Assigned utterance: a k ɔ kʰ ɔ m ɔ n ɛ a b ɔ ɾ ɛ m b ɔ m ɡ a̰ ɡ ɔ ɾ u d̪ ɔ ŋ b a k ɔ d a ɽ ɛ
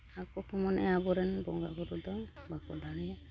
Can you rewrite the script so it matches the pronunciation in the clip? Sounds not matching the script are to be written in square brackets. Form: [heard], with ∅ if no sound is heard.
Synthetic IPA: a k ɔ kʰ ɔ m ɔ n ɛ a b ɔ ɾ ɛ [n] b ɔ [ŋ] ɡ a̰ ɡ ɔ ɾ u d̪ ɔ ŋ b a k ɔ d a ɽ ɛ